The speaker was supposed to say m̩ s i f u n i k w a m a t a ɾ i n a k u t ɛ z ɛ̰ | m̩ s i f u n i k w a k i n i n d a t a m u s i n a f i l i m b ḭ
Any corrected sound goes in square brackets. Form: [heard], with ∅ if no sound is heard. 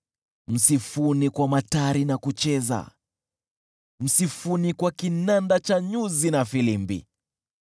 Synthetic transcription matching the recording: m̩ s i f u n i k w a m a t a ɾ i n a k u [t͡ʃ] ɛ z [a̰] | m̩ s i f u n i k w a k i n [a] n d a [t͡ʃ] a [ɲ] u [z] i n a f i l i m b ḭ